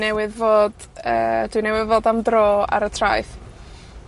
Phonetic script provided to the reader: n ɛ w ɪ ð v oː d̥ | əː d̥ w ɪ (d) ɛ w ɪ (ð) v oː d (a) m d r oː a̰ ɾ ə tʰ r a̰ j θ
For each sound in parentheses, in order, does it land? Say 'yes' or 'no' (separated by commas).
no, yes, yes